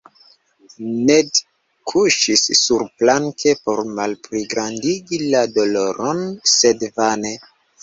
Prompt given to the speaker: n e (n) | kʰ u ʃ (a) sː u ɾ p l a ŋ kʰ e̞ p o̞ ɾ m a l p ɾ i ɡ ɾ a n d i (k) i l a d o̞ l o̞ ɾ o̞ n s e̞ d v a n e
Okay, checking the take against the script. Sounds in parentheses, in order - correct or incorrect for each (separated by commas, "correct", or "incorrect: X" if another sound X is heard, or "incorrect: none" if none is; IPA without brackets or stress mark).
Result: incorrect: d, incorrect: i, incorrect: ɡ